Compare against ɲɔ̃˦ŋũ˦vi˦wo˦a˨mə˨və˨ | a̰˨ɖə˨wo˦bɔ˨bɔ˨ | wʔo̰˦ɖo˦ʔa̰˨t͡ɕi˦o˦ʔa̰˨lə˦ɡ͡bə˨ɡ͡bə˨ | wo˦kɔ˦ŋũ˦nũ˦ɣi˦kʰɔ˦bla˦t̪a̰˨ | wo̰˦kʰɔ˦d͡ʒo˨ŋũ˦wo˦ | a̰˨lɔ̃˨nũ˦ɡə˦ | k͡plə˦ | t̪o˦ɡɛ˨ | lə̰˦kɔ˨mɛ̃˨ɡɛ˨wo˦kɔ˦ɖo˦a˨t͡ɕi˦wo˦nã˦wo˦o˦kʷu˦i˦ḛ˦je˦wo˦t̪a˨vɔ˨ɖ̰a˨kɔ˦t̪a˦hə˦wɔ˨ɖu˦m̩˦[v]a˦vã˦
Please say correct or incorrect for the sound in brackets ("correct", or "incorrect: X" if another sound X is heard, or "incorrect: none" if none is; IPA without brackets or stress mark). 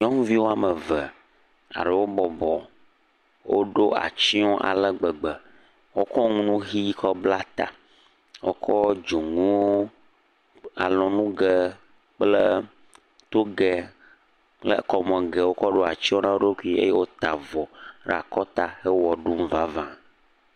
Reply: correct